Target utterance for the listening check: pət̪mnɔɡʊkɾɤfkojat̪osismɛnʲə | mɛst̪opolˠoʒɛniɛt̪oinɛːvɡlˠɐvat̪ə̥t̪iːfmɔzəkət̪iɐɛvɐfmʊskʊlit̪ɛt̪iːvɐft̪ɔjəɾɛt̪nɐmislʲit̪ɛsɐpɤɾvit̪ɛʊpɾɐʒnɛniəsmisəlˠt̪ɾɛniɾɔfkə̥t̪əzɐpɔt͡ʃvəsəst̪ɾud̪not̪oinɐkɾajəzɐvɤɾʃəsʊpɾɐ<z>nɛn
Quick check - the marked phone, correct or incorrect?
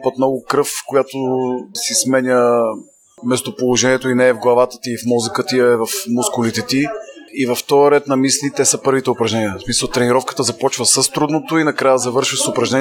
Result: incorrect